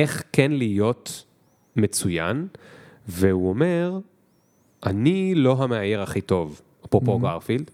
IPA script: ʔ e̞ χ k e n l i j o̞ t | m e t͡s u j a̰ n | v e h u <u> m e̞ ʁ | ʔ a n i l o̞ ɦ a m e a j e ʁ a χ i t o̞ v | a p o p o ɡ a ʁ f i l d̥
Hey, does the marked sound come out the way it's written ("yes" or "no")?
no